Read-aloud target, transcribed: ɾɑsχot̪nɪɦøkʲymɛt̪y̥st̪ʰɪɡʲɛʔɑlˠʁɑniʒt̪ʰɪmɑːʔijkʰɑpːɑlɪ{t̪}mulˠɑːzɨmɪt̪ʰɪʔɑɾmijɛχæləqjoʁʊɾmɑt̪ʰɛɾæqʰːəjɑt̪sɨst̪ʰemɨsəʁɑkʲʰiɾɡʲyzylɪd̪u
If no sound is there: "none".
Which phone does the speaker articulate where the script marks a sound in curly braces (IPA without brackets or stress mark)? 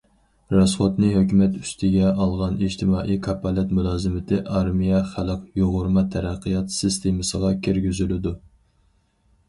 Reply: t̪